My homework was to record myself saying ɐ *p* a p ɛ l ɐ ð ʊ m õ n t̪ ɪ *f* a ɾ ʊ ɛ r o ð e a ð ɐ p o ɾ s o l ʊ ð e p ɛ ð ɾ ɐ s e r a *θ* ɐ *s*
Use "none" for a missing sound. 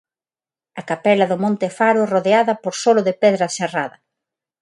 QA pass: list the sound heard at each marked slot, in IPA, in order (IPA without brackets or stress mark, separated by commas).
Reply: k, f, ð, none